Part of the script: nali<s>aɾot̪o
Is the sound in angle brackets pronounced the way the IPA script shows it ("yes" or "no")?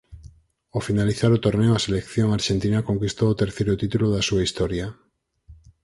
no